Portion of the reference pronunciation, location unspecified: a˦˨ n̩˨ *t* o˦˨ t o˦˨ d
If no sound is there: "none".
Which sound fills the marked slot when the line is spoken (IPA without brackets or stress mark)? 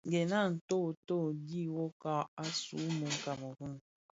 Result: t